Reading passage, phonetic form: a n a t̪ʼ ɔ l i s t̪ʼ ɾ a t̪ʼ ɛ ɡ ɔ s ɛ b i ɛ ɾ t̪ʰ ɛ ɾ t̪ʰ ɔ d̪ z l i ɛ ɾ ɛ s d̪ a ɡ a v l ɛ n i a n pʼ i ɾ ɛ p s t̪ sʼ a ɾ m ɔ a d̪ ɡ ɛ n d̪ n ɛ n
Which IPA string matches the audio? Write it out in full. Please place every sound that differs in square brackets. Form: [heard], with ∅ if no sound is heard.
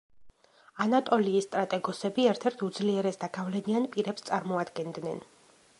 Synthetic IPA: a n a t̪ʼ ɔ l [iː] s t̪ʼ ɾ a t̪ʼ ɛ ɡ ɔ s ɛ b i ɛ ɾ t̪ʰ ɛ ɾ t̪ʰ [u] d̪ z l i ɛ ɾ ɛ s d̪ a ɡ a v l ɛ n i a n pʼ i ɾ ɛ p s t̪ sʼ a ɾ m ɔ a d̪ ɡ ɛ n d̪ n ɛ n